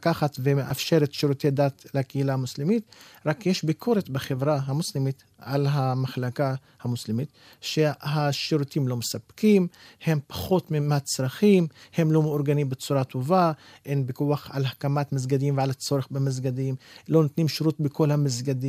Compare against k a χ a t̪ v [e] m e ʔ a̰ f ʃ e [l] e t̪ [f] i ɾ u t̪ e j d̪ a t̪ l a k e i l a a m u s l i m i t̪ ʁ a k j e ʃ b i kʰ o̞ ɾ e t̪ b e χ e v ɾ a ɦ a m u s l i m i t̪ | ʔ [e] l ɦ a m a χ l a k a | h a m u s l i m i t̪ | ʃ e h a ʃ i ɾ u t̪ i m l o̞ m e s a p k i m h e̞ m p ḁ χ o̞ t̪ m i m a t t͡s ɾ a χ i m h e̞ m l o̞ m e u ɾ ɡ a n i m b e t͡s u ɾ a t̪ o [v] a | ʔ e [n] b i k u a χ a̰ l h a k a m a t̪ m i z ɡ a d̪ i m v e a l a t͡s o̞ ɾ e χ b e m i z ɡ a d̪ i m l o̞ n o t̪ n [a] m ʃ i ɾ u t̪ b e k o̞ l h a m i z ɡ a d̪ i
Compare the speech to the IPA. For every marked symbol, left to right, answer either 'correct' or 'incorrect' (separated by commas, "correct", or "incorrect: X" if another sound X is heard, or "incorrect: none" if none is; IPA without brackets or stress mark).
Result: correct, incorrect: ɾ, incorrect: ʃ, incorrect: a, correct, correct, incorrect: i